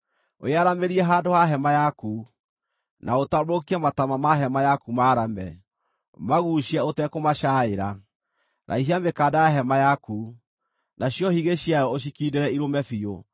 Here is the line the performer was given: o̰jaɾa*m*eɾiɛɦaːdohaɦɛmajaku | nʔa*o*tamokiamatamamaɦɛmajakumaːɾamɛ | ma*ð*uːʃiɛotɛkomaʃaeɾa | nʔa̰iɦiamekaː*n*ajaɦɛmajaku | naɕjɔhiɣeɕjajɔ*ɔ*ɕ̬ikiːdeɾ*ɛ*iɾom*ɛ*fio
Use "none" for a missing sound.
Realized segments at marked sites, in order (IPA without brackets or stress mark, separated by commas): m, o, ɣ, d, o, ɛ, ɛ